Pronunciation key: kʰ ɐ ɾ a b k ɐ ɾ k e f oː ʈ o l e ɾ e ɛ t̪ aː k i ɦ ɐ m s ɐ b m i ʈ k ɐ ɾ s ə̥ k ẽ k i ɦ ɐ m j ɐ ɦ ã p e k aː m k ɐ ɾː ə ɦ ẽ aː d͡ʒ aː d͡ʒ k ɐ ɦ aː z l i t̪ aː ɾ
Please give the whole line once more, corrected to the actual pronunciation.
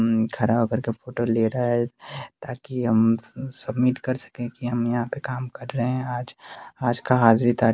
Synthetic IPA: kʰ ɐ ɾ a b k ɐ ɾ k e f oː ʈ o l e ɾ a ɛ t̪ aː k i ɦ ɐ m s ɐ b m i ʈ k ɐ ɾ s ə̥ k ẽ k i ɦ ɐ m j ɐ ɦ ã p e k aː m k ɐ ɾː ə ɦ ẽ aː d͡ʒ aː d͡ʒ k a ɦ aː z ɾ i t̪ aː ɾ

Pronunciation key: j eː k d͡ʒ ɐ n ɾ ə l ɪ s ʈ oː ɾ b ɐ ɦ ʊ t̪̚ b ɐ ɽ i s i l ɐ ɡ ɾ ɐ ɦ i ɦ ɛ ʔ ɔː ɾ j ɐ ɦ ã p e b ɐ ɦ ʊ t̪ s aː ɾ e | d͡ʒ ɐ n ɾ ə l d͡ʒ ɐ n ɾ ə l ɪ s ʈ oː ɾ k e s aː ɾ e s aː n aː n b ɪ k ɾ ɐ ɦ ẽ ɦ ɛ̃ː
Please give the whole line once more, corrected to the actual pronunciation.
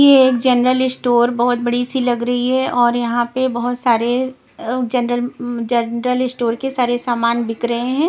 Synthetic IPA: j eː k d͡ʒ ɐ n ɾ ə l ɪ s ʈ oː ɾ b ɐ ɦ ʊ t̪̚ b ɐ ɽ i s i l ɐ ɡ ɾ ɐ ɦ i ɦ ɛ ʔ ɔː ɾ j ɐ ɦ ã p e b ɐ ɦ ʊ t̪ s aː ɾ e | d͡ʒ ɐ n ɾ ə l d͡ʒ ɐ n ɾ ə l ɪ s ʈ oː ɾ k e s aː ɾ e s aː m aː n b ɪ k ɾ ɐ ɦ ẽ ɦ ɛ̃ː

